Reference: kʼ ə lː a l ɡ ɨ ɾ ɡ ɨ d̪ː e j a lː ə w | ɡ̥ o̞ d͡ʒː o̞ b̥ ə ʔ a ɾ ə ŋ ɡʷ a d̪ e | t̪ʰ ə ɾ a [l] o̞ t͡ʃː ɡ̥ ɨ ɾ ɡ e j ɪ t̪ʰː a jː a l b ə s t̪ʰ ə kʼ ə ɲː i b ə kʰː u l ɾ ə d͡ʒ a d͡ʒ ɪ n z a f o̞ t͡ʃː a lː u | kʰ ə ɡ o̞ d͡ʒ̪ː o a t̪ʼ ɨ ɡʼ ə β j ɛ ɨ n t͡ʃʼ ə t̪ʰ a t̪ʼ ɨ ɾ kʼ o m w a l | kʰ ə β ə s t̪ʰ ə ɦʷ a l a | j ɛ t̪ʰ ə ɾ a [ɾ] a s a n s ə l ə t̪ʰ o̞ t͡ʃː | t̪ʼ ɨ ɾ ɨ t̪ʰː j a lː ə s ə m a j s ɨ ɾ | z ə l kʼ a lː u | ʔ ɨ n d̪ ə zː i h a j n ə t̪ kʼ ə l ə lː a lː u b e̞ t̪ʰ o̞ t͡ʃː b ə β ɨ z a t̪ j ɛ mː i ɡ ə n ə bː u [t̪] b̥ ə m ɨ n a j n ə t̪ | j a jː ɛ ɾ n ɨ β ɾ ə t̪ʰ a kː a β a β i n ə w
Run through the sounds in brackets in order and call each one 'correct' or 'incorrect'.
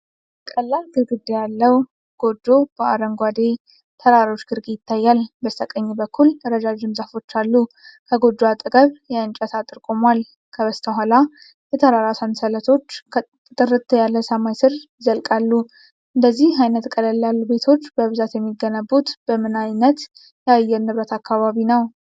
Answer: incorrect: ɾ, correct, correct

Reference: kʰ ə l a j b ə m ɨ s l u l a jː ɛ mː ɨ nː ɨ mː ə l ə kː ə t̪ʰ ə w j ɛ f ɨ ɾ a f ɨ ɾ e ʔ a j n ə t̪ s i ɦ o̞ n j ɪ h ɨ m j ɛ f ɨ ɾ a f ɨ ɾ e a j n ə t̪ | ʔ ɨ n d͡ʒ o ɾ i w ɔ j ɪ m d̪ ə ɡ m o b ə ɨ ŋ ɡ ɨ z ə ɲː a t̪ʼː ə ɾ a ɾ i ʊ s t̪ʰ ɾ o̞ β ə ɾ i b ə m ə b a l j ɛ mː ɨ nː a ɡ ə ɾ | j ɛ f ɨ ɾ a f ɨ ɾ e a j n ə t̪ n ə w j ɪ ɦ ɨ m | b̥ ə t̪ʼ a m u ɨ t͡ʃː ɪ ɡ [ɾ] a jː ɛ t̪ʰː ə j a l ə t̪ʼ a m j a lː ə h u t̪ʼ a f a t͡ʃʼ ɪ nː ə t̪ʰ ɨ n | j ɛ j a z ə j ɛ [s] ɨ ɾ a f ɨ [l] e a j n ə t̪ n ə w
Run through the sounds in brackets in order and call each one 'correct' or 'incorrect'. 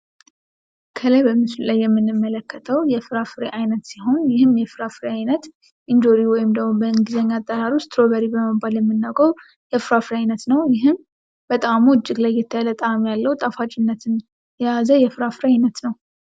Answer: incorrect: l, incorrect: f, incorrect: ɾ

